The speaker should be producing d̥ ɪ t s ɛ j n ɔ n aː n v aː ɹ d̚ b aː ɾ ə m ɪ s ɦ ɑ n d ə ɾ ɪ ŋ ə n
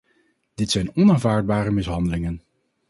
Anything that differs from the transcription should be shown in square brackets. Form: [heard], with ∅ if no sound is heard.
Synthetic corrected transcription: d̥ ɪ t s ɛ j n ɔ n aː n v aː ɹ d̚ b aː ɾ ə m ɪ s ɦ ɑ n d ə [l] ɪ ŋ ə n

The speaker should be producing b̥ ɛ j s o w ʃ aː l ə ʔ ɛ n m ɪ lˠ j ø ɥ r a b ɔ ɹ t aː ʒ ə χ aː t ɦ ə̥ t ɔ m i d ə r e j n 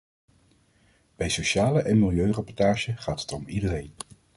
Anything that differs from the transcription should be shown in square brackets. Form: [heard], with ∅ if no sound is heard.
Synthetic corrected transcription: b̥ ɛ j s o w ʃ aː l ə ʔ ɛ n m ɪ lˠ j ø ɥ r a [p] ɔ ɹ t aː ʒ ə χ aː t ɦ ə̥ t ɔ m i d ə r e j n

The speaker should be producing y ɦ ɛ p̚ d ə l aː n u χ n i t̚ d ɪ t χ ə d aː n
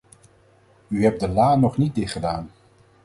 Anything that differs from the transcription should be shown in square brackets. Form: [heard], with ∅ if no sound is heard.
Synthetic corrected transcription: y ɦ ɛ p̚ d ə l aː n [ɔ] χ n i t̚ d ɪ t χ ə d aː n

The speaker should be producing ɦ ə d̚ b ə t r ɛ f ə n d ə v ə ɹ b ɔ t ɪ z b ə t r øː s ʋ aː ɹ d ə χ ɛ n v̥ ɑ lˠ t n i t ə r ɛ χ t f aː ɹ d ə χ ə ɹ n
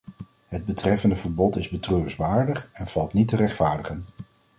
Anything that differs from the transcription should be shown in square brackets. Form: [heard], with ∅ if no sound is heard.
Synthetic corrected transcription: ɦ ə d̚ b ə t r ɛ f ə n d ə v ə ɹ b ɔ t ɪ z b ə t r øː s ʋ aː ɹ d ə χ ɛ n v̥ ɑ lˠ t n i t ə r ɛ χ t f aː ɹ d ə χ ə [∅] n

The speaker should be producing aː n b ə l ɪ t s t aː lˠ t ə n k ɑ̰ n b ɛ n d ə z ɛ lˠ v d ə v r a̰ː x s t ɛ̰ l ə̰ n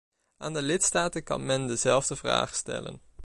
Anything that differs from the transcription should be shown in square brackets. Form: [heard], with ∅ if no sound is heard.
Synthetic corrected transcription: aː n [d] ə l ɪ t s t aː [∅] t ə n k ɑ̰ n [m] ɛ n d ə z ɛ lˠ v d ə v r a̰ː [χ] s t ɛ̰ l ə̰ n

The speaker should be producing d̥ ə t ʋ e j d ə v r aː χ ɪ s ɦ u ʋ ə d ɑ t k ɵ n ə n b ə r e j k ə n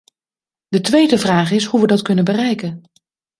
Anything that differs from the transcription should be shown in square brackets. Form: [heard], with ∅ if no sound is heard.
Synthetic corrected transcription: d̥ ə t ʋ e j d ə v r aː χ ɪ s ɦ u ʋ ə d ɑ t k ɵ n ə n b ə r [ɛ] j k ə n

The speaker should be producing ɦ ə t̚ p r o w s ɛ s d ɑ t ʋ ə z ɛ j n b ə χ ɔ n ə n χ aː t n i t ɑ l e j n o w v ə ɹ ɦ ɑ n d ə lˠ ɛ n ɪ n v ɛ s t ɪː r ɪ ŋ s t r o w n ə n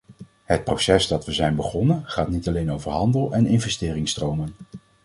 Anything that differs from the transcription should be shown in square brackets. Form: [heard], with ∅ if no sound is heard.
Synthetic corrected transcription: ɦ ə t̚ p r o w s ɛ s d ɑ t ʋ ə z ɛ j n b ə χ ɔ n ə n χ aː t n i t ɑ l e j n o w v ə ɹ ɦ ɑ n d ə lˠ ɛ n ɪ n v ɛ s t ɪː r ɪ ŋ s t r o w [m] ə n

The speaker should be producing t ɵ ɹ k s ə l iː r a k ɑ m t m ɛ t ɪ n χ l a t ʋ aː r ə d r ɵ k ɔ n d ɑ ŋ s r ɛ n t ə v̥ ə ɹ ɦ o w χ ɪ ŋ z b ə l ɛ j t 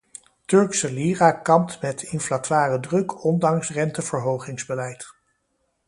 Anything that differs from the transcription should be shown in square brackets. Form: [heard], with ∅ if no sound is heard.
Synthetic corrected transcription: t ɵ ɹ k s ə l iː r a k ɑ m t m ɛ t ɪ n [f] l a t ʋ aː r ə d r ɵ k ɔ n d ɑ ŋ s r ɛ n t ə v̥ ə ɹ ɦ o w χ ɪ ŋ z b ə l ɛ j t

